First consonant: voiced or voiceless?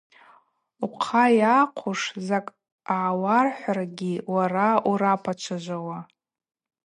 voiceless